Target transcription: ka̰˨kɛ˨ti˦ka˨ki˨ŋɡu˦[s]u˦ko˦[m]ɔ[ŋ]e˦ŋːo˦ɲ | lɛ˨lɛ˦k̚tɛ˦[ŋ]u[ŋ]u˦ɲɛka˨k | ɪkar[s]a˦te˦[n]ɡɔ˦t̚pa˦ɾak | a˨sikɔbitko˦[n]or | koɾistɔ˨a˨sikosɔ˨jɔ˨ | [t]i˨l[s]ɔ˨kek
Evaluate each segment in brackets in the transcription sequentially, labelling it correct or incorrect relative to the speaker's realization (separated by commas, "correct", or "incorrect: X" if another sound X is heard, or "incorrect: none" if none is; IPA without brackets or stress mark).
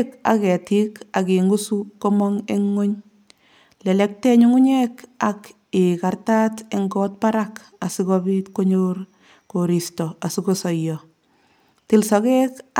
correct, correct, correct, incorrect: ɲ, correct, incorrect: t, incorrect: ŋ, incorrect: ɲ, correct, correct